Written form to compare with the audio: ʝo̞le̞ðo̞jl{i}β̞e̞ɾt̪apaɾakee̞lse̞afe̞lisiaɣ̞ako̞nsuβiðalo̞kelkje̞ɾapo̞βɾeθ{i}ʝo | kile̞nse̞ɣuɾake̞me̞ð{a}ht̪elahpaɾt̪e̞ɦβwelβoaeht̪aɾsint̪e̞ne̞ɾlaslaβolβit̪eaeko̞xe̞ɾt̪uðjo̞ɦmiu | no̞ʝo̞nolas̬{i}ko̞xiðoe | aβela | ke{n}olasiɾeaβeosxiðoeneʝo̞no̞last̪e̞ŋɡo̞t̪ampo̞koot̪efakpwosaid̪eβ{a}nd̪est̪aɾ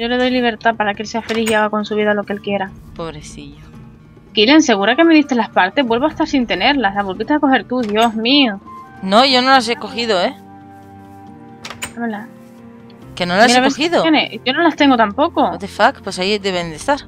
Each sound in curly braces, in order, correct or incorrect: correct, correct, incorrect: i, incorrect: e, correct, incorrect: e

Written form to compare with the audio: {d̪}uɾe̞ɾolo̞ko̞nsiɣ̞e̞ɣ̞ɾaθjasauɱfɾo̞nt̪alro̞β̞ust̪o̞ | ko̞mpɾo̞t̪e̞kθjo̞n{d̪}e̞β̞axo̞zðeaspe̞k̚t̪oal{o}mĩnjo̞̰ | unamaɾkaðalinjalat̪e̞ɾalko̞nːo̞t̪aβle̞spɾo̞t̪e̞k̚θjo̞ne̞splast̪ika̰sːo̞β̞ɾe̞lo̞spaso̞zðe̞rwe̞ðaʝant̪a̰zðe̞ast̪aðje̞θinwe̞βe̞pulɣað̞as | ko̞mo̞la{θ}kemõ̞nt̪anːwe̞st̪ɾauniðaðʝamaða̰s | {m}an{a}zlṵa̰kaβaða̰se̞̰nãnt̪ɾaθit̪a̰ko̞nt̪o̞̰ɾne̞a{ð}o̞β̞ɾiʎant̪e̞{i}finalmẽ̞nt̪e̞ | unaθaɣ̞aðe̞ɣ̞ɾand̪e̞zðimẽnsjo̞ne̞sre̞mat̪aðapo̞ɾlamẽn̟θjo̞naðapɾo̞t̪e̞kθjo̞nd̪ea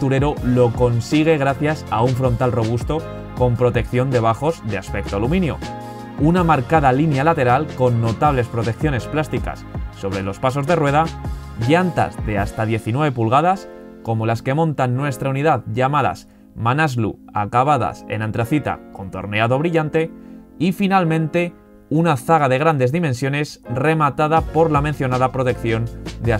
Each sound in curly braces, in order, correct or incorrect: incorrect: t̪, correct, incorrect: u, incorrect: s, correct, correct, correct, correct

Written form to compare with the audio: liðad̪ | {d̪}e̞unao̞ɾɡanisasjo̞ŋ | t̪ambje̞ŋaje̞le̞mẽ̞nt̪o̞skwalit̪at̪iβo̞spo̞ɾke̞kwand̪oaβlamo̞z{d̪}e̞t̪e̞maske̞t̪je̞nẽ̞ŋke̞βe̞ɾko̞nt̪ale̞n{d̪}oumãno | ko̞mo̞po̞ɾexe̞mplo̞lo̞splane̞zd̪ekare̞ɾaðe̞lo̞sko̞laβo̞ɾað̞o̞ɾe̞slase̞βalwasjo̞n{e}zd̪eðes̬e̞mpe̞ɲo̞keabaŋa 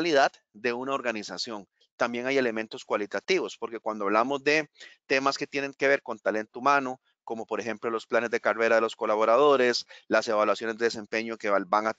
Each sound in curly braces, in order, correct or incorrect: correct, correct, incorrect: t̪, correct

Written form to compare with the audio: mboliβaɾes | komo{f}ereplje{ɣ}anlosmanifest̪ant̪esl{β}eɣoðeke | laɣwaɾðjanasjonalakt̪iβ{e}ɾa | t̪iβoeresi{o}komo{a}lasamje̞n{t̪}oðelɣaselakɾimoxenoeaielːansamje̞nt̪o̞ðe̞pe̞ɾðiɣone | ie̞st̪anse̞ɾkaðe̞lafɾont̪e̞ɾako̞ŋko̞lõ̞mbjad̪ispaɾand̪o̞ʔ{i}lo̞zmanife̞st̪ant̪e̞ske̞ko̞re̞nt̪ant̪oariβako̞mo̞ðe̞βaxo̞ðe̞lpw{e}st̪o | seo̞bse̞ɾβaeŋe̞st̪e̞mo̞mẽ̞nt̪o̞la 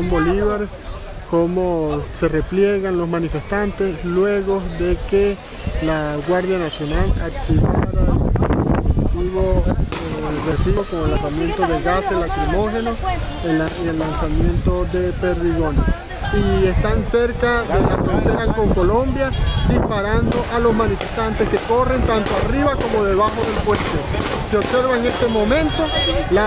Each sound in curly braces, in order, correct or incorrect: incorrect: s, correct, incorrect: w, incorrect: a, correct, incorrect: e, correct, incorrect: a, correct

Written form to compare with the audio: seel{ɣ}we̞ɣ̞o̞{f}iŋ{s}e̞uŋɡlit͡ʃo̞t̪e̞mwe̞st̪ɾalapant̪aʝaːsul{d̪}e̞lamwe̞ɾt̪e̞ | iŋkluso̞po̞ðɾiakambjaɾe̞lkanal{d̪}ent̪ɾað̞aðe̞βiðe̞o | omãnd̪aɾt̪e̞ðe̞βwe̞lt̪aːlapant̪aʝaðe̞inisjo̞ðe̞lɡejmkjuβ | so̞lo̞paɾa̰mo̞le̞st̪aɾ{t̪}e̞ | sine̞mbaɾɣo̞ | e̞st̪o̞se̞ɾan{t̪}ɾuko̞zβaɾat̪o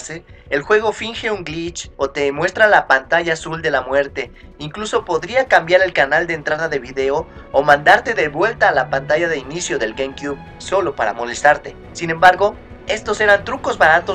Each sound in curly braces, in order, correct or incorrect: incorrect: x, correct, incorrect: x, correct, correct, correct, correct

